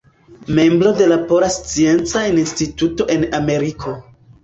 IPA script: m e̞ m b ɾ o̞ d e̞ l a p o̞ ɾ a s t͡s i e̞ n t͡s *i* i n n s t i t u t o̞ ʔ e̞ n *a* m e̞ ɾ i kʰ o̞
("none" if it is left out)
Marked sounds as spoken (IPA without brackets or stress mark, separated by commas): a, a